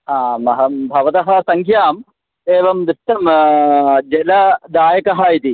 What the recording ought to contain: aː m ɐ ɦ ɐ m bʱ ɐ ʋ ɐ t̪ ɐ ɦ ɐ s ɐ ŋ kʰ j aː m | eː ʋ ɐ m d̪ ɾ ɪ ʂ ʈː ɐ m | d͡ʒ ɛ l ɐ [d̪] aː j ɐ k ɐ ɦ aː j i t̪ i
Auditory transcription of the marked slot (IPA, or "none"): d̪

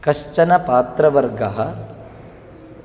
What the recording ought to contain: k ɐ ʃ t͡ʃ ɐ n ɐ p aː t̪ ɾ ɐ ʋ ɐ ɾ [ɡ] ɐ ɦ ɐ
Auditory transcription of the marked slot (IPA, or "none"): ɡ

